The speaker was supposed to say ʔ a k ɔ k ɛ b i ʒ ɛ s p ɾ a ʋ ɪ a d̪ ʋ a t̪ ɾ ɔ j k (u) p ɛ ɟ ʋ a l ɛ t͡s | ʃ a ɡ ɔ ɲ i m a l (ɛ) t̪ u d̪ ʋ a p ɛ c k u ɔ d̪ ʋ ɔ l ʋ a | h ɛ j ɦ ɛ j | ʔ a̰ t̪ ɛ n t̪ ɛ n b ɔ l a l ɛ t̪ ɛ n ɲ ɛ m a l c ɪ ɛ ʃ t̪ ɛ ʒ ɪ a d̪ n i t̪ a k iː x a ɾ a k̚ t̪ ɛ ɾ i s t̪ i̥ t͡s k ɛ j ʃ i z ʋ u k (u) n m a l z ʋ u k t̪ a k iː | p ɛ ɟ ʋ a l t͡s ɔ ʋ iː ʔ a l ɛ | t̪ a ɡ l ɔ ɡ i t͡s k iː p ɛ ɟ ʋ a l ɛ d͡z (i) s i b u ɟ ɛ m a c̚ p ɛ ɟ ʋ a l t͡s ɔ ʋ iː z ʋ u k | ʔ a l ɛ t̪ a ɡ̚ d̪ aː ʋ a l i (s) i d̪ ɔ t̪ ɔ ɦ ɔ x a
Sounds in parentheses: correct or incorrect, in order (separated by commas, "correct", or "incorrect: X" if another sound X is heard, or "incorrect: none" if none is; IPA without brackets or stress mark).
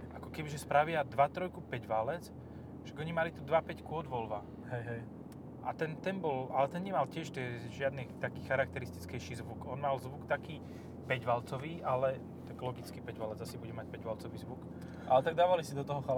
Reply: correct, incorrect: i, incorrect: ɔ, incorrect: a, correct